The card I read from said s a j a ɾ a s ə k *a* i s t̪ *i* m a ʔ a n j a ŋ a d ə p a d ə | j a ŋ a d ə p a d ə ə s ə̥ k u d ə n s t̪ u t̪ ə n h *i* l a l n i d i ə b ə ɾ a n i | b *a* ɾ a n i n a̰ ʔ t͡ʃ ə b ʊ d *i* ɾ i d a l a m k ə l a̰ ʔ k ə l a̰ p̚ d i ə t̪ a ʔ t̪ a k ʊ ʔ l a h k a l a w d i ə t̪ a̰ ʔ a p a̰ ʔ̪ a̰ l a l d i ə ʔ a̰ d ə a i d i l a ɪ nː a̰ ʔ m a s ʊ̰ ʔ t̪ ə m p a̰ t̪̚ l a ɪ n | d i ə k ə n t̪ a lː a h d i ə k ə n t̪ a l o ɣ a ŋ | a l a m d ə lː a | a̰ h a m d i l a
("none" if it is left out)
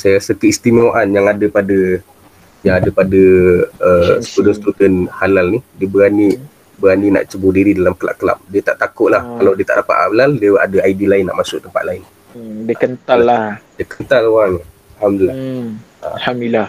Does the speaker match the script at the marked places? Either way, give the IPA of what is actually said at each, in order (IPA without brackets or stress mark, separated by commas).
ə, i, a, ə, i